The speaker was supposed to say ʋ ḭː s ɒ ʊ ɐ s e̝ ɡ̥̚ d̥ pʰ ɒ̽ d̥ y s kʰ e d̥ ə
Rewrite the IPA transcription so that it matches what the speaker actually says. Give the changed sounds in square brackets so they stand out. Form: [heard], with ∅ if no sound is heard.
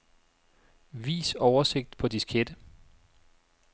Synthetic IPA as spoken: ʋ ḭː s ɒ ʊ ɐ s e̝ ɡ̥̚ d̥ pʰ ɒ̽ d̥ [i] s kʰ e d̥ ə